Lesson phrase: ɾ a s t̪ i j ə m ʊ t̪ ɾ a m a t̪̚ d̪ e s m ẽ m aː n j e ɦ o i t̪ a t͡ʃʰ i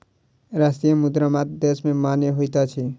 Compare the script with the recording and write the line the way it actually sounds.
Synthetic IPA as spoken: ɾ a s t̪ i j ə m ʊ d̪ ɾ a m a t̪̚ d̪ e s m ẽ m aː n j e ɦ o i t̪ a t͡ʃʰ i